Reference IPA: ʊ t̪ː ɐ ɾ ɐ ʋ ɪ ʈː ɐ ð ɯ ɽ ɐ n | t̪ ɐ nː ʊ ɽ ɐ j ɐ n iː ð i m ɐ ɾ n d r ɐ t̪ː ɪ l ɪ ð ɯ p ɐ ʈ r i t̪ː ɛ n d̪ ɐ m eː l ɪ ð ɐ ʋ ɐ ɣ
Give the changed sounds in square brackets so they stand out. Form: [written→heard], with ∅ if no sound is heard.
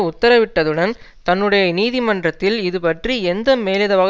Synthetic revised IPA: ʊ t̪ː ɐ ɾ ɐ ʋ ɪ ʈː ɐ ð ɯ ɽ ɐ n | t̪ ɐ nː [ʊ→ɯ] ɽ ɐ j ɐ n iː ð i m ɐ [ɾ→∅] n d r ɐ t̪ː ɪ l ɪ ð ɯ p ɐ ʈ r i [t̪ː→∅] ɛ n d̪ ɐ m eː l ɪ ð ɐ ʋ ɐ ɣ